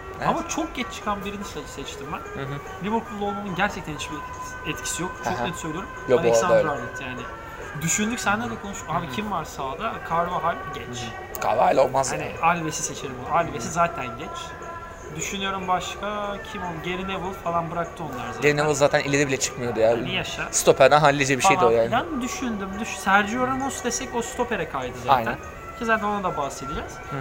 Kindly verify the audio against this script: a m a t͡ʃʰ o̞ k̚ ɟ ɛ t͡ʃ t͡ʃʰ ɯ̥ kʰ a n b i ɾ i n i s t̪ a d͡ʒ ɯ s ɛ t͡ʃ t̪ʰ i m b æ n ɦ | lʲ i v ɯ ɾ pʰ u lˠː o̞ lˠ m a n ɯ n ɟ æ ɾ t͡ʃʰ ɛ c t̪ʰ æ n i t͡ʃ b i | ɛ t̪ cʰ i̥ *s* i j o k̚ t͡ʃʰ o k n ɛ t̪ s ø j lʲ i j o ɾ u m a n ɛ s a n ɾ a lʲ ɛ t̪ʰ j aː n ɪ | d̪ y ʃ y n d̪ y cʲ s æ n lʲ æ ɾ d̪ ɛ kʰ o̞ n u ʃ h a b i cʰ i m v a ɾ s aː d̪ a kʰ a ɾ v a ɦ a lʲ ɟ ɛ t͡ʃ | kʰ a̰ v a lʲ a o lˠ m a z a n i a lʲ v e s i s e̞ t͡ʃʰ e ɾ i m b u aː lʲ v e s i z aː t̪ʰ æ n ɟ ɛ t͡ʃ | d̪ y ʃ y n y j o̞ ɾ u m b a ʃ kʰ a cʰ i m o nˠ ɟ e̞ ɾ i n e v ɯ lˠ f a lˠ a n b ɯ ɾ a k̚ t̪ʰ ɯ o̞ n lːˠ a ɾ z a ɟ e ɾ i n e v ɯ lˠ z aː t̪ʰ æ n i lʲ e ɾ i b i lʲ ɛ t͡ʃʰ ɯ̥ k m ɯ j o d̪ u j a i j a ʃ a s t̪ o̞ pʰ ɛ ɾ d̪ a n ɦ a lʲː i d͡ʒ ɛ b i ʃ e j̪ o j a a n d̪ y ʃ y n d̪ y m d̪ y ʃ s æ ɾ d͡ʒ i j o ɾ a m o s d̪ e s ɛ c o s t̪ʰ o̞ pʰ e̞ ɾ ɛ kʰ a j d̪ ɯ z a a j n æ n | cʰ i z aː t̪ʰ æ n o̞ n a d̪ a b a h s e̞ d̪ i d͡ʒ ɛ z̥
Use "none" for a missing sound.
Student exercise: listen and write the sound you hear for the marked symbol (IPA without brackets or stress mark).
s